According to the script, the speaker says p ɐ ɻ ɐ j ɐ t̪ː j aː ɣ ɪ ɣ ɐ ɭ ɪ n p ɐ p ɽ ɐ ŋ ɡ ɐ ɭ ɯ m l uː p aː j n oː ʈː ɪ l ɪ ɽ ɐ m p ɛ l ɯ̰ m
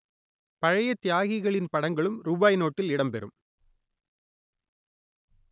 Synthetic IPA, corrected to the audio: p ɐ ɻ ɐ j ɐ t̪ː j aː ɣ ɪ ɣ ɐ ɭ ɪ n p ɐ ɽ ɐ ŋ ɡ ɐ ɭ ɯ m ɾ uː b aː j n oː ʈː ɪ l ɪ ɽ ɐ m p ɛ ɾ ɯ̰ m